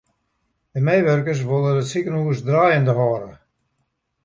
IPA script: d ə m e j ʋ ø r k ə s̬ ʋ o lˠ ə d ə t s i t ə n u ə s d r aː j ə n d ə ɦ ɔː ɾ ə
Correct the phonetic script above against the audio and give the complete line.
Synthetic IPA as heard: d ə m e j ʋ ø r k ə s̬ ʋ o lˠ ə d ə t s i k ə n u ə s d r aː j ə n d ə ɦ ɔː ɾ ə